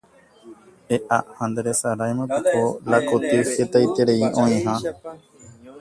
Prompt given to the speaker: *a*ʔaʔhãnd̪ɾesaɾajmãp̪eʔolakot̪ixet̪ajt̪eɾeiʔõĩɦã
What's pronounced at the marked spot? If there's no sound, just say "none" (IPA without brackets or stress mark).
e